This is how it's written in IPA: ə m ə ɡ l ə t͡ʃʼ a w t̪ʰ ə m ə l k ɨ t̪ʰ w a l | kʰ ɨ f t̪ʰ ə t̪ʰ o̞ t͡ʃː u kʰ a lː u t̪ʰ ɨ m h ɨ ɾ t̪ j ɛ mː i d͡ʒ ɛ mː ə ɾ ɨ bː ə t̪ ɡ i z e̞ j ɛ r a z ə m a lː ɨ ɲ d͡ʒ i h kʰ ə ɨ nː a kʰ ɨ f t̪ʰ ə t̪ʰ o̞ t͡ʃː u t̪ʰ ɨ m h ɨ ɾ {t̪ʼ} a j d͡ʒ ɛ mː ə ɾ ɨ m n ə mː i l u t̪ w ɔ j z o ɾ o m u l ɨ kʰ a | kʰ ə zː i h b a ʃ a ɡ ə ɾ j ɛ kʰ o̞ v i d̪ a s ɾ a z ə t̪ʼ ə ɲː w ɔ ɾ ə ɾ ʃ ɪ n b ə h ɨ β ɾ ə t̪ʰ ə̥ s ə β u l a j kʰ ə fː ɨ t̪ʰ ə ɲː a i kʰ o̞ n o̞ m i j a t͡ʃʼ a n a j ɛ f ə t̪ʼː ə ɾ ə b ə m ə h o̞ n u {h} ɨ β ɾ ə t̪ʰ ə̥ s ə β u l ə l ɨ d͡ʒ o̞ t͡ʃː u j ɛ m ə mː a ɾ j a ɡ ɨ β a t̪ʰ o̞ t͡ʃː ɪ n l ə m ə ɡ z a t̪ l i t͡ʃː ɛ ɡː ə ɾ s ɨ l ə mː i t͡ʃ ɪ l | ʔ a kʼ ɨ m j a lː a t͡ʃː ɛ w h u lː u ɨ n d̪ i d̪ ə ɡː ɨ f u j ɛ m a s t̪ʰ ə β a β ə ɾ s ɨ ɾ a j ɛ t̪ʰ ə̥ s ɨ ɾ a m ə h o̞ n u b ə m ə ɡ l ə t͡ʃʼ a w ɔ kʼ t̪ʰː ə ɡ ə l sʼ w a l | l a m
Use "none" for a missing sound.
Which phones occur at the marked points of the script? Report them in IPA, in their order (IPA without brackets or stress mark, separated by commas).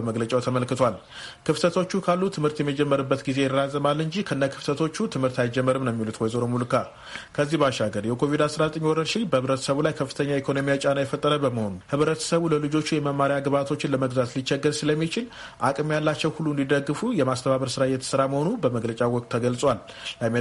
t̪, h